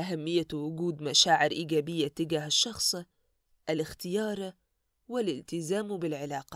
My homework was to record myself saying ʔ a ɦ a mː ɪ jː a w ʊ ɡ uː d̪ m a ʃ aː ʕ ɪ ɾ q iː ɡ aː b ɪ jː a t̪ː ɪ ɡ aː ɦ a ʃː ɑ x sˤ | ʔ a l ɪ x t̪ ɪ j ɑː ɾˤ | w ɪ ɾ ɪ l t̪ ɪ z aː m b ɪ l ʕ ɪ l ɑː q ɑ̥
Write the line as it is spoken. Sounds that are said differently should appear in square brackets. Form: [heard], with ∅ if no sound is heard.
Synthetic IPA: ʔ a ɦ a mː ɪ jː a w ʊ ɡ uː d̪ m a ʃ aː ʕ ɪ ɾ [ʔ] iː ɡ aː b ɪ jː a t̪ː ɪ ɡ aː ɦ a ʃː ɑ x sˤ | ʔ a l ɪ x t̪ ɪ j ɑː ɾˤ | w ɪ [l] ɪ l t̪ ɪ z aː m b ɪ l ʕ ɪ l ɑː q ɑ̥